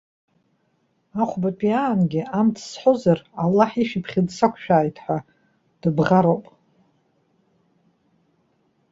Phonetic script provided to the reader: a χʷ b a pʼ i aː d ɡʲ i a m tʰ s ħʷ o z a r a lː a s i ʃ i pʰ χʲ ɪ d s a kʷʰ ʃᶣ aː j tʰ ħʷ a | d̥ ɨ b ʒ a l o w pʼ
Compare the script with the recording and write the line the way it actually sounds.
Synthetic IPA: a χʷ b a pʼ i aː n ɡʲ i a m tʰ s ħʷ o z a r a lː a ħ i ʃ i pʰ χʲ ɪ d s a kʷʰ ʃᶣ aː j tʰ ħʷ a | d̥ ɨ b ʁ a ɾ o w pʼ